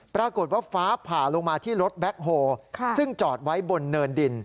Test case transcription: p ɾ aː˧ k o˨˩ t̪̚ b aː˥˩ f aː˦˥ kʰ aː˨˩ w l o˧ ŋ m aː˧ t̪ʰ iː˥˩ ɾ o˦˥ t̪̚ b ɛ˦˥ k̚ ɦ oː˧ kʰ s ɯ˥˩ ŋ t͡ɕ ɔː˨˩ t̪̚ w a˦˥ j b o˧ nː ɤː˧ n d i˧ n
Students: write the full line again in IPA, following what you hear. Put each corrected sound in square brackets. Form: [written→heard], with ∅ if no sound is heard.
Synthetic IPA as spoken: p ɾ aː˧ k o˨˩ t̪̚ [b→w] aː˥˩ f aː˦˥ [kʰ→pʰ] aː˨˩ [w→∅] l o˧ ŋ m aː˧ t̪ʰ iː˥˩ ɾ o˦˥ t̪̚ b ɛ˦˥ k̚ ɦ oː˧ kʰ s ɯ˥˩ ŋ t͡ɕ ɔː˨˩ t̪̚ w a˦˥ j b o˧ nː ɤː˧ n d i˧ n